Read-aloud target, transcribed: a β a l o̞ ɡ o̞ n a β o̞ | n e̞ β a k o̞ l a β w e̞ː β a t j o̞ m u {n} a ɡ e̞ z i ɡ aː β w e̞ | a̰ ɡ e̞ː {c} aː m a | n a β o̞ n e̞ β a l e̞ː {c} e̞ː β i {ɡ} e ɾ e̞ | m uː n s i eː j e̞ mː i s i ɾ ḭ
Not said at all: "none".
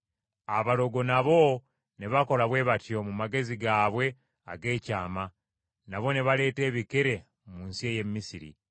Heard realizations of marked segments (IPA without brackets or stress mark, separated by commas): m, c, t, k